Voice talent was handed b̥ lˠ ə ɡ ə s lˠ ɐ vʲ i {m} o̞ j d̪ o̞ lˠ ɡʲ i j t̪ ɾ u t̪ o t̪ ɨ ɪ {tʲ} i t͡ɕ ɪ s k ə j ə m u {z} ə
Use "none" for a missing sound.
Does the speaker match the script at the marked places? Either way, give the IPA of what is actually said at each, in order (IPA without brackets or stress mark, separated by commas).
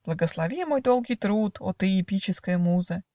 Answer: m, pʲ, z